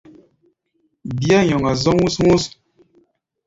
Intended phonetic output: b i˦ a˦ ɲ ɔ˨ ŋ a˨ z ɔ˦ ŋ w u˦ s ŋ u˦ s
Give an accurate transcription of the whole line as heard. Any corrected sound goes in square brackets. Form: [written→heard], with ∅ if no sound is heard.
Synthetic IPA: b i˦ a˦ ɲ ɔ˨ ŋ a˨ z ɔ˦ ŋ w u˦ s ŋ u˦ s

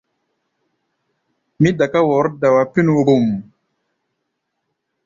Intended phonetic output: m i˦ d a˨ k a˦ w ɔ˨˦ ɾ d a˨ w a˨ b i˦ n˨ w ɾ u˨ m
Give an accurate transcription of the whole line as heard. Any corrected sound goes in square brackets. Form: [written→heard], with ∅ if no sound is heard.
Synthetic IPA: m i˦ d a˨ k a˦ w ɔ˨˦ ɾ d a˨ w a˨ [b→p] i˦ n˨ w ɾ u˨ m

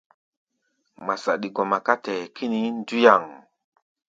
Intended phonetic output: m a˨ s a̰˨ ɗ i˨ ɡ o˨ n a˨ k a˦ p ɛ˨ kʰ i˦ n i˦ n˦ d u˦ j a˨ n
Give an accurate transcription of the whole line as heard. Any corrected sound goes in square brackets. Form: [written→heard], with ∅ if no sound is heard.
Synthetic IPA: m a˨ s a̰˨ ɗ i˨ ɡ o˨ [n→m] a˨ k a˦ [p→t] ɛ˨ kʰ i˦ n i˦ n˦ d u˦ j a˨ [n→ŋ]

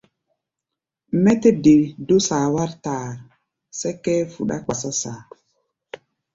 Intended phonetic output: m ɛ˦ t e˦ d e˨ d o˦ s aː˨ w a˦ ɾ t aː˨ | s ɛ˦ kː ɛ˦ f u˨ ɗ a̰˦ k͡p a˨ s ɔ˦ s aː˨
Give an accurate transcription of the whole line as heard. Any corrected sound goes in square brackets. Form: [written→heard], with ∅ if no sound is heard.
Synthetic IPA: m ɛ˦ t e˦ d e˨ d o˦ s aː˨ w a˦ ɾ t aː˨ | s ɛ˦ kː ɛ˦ f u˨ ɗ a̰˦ k͡p a˨ s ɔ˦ s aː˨

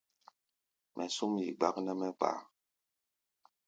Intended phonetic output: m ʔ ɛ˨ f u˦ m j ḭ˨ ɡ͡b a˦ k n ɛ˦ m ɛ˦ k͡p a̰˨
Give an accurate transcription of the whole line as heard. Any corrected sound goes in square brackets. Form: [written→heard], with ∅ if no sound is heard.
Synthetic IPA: m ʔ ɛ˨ [f→s] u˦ m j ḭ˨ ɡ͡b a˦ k n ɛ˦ m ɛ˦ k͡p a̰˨

